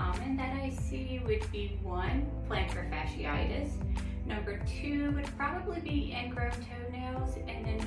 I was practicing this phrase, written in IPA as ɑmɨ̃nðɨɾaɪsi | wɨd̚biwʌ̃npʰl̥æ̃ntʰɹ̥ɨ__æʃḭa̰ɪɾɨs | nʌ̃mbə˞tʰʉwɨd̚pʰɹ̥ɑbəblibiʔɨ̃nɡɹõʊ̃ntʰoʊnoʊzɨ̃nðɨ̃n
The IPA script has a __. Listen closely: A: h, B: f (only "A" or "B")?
B